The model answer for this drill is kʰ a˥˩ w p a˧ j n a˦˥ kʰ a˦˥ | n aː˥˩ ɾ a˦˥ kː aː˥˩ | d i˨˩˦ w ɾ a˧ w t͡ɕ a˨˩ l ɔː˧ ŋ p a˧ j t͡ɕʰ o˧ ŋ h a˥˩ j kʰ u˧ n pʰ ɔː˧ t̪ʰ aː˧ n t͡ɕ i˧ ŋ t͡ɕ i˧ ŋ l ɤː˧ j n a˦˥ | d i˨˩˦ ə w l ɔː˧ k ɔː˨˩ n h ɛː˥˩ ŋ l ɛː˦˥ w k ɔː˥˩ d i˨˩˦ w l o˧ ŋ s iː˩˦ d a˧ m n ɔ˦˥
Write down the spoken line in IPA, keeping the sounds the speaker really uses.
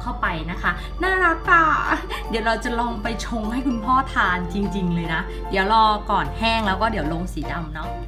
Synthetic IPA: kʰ a˥˩ w p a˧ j n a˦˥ kʰ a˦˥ | n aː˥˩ ɾ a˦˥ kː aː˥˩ | d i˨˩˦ w ɾ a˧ w t͡ɕ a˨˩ l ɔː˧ ŋ p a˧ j t͡ɕʰ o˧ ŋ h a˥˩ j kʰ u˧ n pʰ ɔː˥˩ t̪ʰ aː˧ n t͡ɕ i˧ ŋ t͡ɕ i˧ ŋ l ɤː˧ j n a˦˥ | d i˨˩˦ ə w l ɔː˧ k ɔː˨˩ n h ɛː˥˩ ŋ l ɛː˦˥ w k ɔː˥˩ d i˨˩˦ w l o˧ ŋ s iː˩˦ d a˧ m n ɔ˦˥